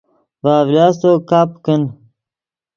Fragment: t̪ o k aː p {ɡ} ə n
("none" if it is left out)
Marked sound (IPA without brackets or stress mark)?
k